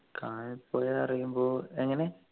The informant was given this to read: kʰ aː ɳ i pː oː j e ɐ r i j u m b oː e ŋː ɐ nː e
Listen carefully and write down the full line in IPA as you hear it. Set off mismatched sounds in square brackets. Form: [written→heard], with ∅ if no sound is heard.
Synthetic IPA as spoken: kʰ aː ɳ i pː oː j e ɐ r i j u m b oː e ŋː ɐ [nː→n] e